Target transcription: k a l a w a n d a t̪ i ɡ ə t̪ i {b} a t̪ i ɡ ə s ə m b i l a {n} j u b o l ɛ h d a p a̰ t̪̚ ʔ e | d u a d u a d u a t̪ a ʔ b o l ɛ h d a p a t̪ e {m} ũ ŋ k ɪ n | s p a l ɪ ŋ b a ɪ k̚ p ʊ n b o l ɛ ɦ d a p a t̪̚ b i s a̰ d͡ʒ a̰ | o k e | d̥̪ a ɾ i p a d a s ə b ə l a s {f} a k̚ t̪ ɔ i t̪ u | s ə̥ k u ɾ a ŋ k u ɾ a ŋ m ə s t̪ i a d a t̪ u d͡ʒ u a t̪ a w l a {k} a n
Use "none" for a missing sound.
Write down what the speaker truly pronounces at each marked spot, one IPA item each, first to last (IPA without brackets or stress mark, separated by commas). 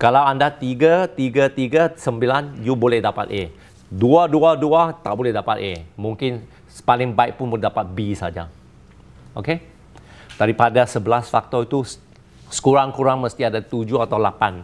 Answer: ɡ, n, m, f, p